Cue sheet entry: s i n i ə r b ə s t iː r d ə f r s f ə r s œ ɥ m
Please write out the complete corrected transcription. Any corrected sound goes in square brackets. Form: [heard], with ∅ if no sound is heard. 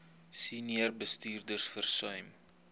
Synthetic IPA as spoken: s i n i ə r b ə s t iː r d ə [∅] r s f ə r s œ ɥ m